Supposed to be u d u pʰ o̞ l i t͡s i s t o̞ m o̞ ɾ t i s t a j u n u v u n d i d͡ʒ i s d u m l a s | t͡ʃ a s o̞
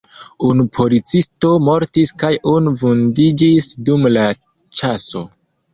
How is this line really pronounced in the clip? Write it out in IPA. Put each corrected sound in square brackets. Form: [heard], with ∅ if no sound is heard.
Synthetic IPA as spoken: u [n] u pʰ o̞ l i t͡s i s t o̞ m o̞ ɾ t i s [k] a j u n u v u n d i d͡ʒ i s d u m l a [∅] | t͡ʃ a s o̞

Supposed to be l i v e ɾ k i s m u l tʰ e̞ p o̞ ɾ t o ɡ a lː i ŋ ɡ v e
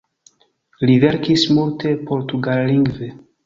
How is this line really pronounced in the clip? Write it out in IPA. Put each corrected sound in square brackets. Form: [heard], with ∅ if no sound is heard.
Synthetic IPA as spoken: l i v e ɾ k i s m u l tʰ e̞ p o̞ ɾ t [u] ɡ a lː i ŋ ɡ v e

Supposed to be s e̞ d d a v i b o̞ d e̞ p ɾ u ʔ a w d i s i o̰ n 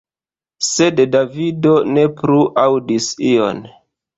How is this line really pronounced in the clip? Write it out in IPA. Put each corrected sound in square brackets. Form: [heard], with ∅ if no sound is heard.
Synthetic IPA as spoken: s e̞ d d a v i [d] o̞ [n] e̞ p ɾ u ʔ a w d i s i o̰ n

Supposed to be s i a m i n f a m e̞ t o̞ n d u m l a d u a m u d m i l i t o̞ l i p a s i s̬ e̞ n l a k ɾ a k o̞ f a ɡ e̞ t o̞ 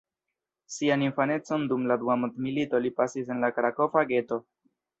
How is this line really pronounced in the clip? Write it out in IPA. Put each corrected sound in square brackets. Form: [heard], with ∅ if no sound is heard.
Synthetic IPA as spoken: s i a [n] i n f a [n] e̞ [t͡s] o̞ n d u m l a d u a m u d m i l i t o̞ l i p a s i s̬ e̞ n l a k ɾ a k o̞ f a ɡ e̞ t o̞

